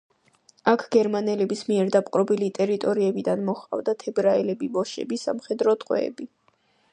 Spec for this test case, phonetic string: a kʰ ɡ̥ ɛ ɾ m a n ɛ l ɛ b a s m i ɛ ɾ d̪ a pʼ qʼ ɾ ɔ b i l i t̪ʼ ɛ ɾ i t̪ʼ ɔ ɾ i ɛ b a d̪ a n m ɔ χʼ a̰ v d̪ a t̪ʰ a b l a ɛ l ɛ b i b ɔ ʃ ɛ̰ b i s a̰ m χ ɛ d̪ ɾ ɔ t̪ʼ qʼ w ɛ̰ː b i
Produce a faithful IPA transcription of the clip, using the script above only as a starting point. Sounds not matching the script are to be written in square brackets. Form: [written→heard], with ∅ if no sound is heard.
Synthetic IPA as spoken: a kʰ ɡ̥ ɛ ɾ m a n ɛ l ɛ b [a→i] s m i ɛ ɾ d̪ a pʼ qʼ ɾ ɔ b i l i t̪ʼ ɛ ɾ i t̪ʼ ɔ ɾ i ɛ b [a→i] d̪ a n m ɔ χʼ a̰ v d̪ a t̪ʰ [a→ɛ] b [l→ɾ] a ɛ l ɛ b i b ɔ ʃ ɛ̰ b i s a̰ m χ ɛ d̪ ɾ ɔ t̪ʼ qʼ w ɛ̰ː b i